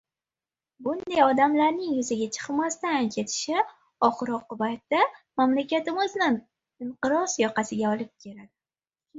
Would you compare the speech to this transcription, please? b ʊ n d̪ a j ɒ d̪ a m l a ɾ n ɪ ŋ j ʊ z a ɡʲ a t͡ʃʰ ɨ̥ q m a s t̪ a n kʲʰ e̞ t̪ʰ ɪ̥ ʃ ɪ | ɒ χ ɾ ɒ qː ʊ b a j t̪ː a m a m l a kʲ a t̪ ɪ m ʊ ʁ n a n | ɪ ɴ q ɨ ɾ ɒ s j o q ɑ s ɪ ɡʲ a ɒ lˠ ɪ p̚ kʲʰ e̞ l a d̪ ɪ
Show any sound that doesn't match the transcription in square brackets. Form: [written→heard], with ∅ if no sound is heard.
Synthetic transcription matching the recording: b ʊ n d̪ a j ɒ d̪ a m l a ɾ n ɪ ŋ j ʊ z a ɡʲ a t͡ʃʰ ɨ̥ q m a s t̪ a n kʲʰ e̞ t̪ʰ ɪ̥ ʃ ɪ | ɒ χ ɾ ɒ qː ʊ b a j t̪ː a m a m l a kʲ a t̪ ɪ m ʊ [ʁ→z] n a n | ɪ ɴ q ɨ ɾ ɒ s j [o→ɒ] q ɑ s ɪ ɡʲ a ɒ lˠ ɪ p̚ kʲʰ e̞ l a d̪ ɪ